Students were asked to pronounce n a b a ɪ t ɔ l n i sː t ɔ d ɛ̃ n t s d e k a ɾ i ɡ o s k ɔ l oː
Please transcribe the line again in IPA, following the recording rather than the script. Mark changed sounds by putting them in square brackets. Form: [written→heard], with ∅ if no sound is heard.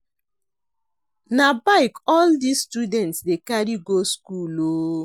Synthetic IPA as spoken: n a b a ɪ [t→k] ɔ l [n→d] i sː t [ɔ→u] d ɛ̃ n t s d e k a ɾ i ɡ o s k [ɔ→u] l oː